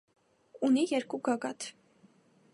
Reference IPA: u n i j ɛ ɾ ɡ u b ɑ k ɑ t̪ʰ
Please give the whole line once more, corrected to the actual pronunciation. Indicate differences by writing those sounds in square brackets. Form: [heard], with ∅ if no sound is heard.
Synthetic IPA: u n i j ɛ ɾ [k] u [ɡ] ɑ [ɡ] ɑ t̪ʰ